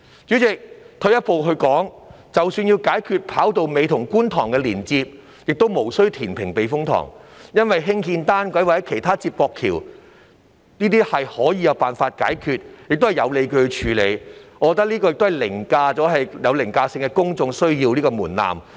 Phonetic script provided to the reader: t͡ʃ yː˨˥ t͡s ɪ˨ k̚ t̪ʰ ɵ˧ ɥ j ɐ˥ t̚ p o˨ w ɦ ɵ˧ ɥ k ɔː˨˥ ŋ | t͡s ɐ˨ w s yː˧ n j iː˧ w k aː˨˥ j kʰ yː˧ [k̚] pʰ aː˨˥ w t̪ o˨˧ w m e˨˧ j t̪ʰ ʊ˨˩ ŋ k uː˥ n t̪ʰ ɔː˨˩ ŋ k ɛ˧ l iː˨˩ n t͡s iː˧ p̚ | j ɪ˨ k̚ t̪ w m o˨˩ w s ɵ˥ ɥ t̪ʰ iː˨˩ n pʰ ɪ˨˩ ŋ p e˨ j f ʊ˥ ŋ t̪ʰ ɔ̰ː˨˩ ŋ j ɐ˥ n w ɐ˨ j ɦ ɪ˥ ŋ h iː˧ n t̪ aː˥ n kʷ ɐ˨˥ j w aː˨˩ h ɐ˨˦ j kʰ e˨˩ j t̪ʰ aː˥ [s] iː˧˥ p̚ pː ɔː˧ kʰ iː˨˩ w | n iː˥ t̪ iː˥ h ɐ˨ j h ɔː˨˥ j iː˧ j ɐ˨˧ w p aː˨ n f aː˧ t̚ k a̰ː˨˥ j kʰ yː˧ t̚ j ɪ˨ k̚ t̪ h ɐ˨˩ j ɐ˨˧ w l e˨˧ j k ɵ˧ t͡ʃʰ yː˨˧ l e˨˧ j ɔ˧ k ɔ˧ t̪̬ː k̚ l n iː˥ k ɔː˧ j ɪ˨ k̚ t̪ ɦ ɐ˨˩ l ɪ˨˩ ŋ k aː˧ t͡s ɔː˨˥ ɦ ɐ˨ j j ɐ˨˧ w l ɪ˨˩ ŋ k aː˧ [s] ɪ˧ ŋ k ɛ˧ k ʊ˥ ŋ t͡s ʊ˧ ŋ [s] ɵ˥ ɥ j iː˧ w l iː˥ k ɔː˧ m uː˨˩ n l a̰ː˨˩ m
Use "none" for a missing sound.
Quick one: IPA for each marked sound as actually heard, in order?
t̚, t͡s, s, s

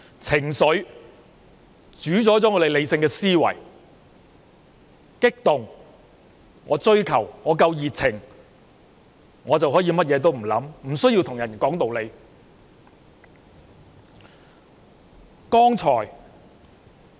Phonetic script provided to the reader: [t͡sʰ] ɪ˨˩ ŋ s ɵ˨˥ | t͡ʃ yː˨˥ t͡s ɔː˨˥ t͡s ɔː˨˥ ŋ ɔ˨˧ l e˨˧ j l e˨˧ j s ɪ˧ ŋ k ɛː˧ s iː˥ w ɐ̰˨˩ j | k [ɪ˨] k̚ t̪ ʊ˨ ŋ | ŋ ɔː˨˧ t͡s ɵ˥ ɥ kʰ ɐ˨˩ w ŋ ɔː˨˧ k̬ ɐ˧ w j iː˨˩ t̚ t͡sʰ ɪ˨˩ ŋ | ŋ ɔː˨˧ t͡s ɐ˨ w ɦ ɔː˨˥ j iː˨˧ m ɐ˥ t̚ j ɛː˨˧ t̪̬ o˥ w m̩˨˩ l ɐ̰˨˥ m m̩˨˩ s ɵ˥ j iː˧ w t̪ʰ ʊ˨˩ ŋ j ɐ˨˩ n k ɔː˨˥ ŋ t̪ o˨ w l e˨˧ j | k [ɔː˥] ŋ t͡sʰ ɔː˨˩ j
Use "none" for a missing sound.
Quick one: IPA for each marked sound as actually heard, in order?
t͡sʰ, ɪ˥, ɔː˥

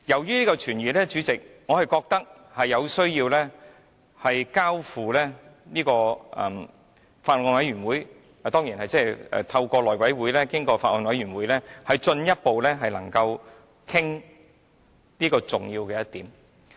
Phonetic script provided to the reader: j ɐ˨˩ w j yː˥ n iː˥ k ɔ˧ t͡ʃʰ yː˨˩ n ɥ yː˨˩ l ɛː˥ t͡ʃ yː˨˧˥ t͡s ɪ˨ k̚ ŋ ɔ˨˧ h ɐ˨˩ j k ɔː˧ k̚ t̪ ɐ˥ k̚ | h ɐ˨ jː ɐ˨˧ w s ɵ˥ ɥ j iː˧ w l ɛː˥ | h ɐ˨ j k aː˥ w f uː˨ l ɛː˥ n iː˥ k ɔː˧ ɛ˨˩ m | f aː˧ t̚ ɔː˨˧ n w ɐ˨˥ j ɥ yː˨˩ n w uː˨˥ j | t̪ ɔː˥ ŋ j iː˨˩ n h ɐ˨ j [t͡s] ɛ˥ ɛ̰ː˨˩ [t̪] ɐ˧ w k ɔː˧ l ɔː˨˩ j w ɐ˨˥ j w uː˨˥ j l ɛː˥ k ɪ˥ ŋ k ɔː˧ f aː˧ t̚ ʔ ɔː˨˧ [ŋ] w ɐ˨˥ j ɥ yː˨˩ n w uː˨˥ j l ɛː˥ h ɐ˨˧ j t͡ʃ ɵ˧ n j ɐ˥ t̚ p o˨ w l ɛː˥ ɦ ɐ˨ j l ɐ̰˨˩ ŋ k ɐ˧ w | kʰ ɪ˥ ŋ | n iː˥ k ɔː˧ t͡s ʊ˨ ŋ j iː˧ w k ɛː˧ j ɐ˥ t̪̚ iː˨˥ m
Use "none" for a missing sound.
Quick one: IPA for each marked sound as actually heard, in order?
t͡s, t̪ʰ, n

